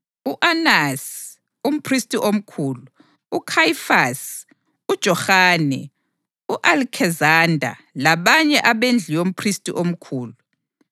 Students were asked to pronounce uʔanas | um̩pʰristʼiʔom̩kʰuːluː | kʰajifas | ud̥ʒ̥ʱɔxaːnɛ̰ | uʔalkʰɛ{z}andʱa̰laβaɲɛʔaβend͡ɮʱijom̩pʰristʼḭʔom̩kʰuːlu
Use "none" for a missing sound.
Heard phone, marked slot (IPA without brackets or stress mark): z